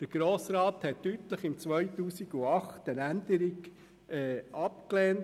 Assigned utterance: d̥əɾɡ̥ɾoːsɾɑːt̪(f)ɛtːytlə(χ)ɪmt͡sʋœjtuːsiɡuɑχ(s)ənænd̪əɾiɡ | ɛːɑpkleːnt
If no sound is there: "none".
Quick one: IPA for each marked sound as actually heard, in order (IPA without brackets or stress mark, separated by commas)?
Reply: h, χ, t